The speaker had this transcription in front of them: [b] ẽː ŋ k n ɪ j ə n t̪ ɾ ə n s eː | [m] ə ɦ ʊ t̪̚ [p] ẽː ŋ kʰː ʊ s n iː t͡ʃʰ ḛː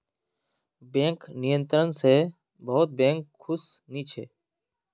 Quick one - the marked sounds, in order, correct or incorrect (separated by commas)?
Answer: correct, incorrect, incorrect